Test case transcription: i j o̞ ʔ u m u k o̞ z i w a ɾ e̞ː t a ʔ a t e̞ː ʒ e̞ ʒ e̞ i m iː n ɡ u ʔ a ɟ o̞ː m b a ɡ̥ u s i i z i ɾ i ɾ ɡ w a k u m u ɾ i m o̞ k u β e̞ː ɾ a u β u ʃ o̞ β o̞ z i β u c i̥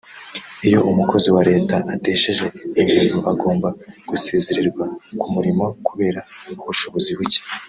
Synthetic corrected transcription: i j o̞ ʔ u m u k o̞ z i w a ɾ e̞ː t a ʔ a t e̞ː ʃ e̞ ʒ e̞ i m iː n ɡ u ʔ a ɡ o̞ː m b a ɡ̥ u s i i z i ɾ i ɾ ɡ w a k u m u ɾ i m o̞ k u β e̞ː ɾ a u β u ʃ o̞ β o̞ z i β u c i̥

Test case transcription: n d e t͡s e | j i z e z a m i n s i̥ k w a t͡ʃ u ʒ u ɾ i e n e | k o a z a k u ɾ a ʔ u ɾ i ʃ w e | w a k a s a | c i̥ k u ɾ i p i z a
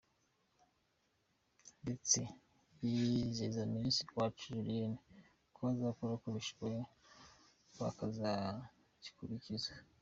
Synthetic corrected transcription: n d e t͡s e | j i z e z a m i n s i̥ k w a t͡ʃ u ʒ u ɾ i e n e | k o a z a k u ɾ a k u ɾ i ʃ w e | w a k a z a | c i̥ k u ɾ i c i z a

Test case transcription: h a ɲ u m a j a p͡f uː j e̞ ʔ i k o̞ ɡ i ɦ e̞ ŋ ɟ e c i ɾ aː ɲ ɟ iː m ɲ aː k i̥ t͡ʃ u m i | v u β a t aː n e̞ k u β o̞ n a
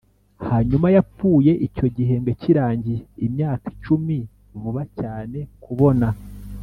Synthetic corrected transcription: h a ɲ u m a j a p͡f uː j e̞ ʔ i c o̞ ɟ i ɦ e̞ ŋ ɡ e c i ɾ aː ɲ ɟ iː m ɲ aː k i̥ t͡ʃ u m i | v u β a c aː n e̞ k u β o̞ n a

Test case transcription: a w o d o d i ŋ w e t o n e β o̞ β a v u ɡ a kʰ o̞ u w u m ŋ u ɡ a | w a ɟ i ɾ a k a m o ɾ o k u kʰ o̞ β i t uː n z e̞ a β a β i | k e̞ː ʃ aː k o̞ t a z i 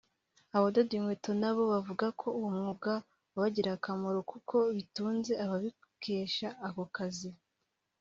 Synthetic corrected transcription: a β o d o d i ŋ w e t o n a β o̞ β a v u ɡ a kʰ o̞ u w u m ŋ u ɡ a | β a ɟ i ɾ a k a m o ɾ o k u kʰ o̞ β i t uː n z e̞ a β a β i | k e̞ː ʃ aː k o̞ k a z i

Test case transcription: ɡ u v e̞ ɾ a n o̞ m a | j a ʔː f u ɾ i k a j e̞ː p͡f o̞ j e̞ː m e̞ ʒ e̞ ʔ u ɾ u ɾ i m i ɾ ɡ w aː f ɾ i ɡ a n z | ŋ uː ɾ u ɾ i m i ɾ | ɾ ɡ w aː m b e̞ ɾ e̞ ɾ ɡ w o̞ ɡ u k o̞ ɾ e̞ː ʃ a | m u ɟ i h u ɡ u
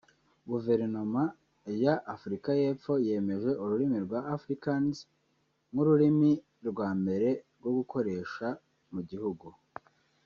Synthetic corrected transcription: ɡ u v e̞ ɾ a n o̞ m a | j a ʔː f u ɾ i k a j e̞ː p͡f o̞ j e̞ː m e̞ ʒ e̞ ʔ u ɾ u ɾ i m i ɾ ɡ w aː f ɾ i k a n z | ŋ u ɾ u ɾ i m i | ɾ ɡ w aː m b e̞ ɾ e̞ ɾ ɡ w o̞ ɡ u k o̞ ɾ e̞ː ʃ a | m u ɟ i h u ɡ u

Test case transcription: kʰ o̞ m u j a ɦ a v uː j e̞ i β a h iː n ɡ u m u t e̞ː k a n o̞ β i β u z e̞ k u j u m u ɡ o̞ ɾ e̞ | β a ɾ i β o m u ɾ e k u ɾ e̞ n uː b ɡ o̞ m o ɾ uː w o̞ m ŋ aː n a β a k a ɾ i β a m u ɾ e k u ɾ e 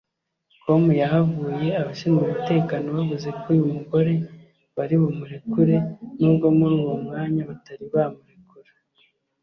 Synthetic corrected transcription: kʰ o̞ m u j a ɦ a v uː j e̞ a β a ʃ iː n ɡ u m u t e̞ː k a n o̞ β a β u z e̞ k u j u m u ɡ o̞ ɾ e̞ | β a ɾ i β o m u ɾ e k u ɾ e̞ n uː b ɡ o̞ m u ɾ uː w o̞ m ŋ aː ɲ a β a t a ɾ i β a m u ɾ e k u ɾ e

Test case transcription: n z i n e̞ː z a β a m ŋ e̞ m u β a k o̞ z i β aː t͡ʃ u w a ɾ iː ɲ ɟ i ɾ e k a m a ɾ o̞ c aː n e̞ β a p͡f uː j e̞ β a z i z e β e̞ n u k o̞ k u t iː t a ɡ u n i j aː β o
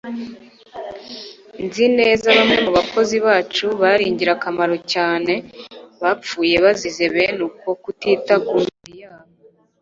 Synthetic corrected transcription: n z i n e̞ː z a β a m ŋ e̞ m u β a k o̞ z i β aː t͡ʃ u β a ɾ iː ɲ ɟ i ɾ a k a m a ɾ o̞ c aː n e̞ β a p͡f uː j e̞ β a z i z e β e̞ n u k o̞ k u t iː t a ɡ u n i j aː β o

